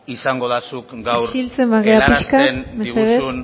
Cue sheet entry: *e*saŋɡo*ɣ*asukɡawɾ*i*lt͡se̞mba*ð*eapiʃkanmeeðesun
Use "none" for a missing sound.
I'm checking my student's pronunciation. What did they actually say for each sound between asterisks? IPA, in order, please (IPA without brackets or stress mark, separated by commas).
i, ð, i, ɣ